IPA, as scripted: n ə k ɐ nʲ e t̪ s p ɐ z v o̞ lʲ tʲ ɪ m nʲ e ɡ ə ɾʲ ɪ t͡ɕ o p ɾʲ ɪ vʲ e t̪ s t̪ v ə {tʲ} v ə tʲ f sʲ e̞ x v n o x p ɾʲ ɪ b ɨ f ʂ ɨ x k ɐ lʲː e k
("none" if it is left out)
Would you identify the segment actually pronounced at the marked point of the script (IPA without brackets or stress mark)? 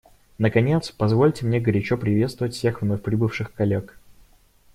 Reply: none